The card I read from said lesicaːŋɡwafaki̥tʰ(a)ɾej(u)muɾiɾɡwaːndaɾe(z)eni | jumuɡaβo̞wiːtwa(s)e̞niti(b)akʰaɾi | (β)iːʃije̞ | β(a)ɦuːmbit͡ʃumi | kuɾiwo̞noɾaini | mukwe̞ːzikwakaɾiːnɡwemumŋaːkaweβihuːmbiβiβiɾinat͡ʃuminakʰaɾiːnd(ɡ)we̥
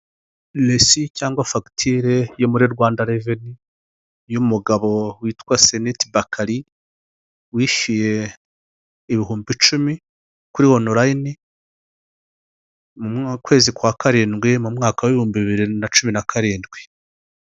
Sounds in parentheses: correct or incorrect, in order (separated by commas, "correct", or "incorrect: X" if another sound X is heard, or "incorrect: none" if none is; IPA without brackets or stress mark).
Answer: incorrect: i, incorrect: o, incorrect: v, correct, correct, incorrect: w, incorrect: i, correct